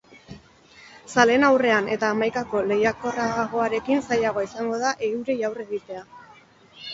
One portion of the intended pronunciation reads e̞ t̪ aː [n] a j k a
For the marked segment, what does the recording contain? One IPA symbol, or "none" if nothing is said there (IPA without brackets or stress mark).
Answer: m